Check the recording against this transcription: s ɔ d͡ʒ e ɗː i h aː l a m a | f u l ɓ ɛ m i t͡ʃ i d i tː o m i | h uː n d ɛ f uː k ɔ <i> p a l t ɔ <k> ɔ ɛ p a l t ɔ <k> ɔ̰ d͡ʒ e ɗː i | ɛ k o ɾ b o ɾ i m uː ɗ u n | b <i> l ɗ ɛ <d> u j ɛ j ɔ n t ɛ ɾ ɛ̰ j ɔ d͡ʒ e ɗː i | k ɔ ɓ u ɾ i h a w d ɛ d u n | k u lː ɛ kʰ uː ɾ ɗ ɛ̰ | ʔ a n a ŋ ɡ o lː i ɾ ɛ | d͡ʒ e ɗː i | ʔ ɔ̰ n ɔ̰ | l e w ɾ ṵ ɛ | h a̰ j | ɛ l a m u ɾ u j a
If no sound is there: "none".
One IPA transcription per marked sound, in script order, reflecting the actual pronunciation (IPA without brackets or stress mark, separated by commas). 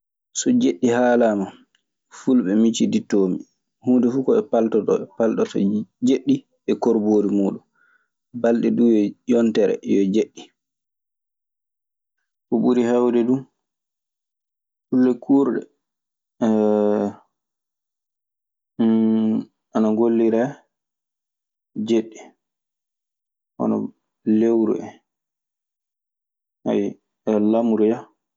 ɛ, t, t, a, d